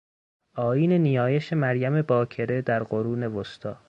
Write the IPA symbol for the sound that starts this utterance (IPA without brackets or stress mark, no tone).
ɒː